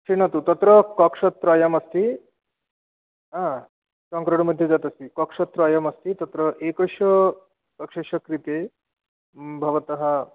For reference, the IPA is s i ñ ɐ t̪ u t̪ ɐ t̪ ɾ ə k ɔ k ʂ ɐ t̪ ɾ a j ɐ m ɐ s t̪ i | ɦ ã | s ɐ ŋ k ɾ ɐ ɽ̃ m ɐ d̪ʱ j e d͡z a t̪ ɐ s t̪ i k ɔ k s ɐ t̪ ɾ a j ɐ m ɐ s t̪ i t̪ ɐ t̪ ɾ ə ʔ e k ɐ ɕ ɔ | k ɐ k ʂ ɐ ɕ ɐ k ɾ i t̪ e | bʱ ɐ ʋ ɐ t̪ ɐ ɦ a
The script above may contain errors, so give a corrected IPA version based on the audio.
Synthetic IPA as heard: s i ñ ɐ t̪ u t̪ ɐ t̪ ɾ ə k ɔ k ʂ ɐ t̪ ɾ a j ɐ m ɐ s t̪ i | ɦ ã | s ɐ ŋ k ɾ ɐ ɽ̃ m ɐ d̪ʱ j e d͡z a t̪ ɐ s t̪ i k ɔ k ʂ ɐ t̪ ɾ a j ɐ m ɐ s t̪ i t̪ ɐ t̪ ɾ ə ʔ e k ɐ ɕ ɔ | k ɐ k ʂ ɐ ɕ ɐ k ɾ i t̪ e | bʱ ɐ ʋ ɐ t̪ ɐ ɦ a